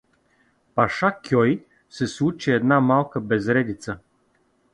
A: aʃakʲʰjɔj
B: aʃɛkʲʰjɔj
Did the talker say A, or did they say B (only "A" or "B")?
A